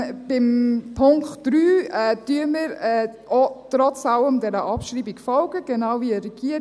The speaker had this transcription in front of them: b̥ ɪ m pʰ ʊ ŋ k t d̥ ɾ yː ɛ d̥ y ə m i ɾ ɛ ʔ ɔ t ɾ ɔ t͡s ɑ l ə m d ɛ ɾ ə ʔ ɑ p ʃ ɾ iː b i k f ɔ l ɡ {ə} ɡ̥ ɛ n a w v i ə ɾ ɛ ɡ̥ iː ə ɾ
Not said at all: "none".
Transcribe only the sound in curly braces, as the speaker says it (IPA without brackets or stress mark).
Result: ə